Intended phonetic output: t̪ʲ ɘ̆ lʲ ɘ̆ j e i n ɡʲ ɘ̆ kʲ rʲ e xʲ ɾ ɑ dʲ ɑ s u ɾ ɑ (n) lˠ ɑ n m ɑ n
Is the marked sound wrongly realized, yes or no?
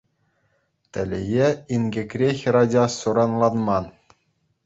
no